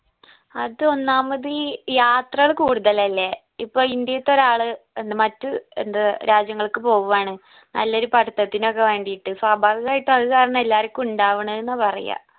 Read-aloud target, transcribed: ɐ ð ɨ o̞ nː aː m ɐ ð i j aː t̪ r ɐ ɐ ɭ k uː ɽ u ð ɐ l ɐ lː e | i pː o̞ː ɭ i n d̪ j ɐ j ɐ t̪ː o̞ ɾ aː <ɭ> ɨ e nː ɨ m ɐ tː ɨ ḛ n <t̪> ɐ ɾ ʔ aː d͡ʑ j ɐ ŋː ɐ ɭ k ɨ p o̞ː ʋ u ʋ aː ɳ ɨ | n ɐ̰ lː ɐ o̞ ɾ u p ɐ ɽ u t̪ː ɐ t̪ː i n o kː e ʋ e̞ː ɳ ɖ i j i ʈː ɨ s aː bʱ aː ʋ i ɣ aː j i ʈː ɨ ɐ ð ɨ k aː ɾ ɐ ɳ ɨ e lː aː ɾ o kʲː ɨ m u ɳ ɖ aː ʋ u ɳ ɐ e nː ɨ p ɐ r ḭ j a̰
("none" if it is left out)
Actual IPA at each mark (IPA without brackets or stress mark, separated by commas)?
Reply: ɭ, d̪